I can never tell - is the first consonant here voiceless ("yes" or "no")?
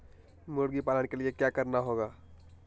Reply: no